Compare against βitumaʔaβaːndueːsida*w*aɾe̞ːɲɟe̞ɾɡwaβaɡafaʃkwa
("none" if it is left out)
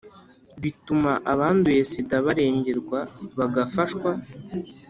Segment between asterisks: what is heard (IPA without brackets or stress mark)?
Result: β